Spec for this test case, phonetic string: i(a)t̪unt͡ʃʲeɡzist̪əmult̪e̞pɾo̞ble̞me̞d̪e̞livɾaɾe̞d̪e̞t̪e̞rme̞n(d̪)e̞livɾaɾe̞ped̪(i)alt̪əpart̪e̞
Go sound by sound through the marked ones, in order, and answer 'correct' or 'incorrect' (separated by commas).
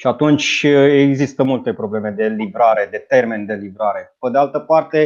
correct, correct, incorrect